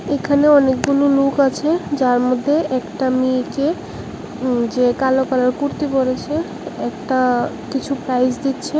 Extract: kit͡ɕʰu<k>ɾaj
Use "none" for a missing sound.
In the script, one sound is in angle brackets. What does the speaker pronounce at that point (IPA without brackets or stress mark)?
p